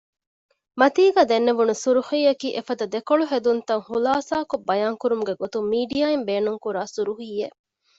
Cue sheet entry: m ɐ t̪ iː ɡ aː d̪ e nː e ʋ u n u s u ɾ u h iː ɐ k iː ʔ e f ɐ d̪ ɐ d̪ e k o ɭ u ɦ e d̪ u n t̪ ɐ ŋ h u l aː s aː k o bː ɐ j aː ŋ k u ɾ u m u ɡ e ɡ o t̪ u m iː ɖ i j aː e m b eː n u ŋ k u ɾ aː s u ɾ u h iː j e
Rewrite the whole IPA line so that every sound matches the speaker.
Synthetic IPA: m ɐ t̪ iː ɡ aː d̪ e nː e ʋ u n u s u ɾ u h iː ɐ k iː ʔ e f ɐ d̪ ɐ d̪ e k o ɭ u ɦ e d̪ u n t̪ ɐ ŋ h u l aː s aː k o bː ɐ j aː ŋ k u ɾ u m u ɡ e ɡ o t̪ u m iː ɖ i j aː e m b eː n u ŋ k u ɾ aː s u ɾ u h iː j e